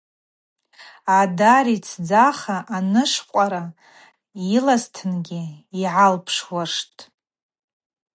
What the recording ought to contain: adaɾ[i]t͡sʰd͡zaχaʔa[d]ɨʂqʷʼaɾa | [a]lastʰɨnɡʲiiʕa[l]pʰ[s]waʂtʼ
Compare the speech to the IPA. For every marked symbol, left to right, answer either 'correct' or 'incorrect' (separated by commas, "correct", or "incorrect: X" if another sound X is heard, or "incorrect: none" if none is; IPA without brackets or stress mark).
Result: correct, incorrect: n, incorrect: i, correct, incorrect: ʂ